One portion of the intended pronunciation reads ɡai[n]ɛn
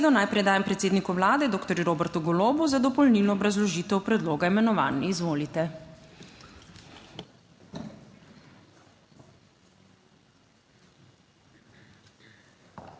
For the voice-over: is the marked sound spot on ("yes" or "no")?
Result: no